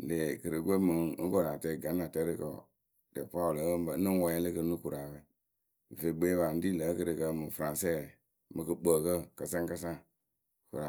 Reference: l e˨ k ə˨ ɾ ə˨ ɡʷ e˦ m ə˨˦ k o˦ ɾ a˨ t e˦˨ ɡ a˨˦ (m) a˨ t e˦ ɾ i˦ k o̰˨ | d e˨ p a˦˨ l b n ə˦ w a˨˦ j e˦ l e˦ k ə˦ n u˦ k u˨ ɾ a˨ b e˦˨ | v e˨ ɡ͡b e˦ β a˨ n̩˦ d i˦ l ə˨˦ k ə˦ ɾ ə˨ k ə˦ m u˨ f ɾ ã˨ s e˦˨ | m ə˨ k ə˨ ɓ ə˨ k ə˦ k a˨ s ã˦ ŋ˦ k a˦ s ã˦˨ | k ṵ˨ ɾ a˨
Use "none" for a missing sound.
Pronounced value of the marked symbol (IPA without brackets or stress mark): n